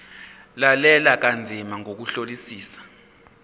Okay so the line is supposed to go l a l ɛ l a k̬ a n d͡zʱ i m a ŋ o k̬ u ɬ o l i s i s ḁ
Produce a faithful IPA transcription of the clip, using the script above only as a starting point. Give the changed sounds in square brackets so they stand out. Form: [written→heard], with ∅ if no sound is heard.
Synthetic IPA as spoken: l a l ɛ l a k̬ a n d͡zʱ i m a ŋ o k̬ u ɬ o l i s [i→iː] s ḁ